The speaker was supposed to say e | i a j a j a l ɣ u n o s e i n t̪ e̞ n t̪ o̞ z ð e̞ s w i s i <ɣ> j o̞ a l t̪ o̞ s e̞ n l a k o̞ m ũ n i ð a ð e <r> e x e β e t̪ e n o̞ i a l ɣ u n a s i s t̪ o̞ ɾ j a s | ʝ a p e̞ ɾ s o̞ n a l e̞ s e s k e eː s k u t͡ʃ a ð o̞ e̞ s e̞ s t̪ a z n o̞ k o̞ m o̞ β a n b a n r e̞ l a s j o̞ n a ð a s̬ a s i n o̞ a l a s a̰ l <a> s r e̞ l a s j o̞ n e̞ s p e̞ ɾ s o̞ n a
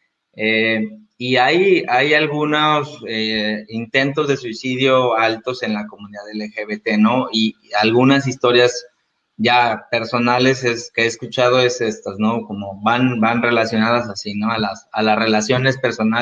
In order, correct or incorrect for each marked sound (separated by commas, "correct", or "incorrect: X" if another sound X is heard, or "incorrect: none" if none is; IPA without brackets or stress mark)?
incorrect: ð, incorrect: l, correct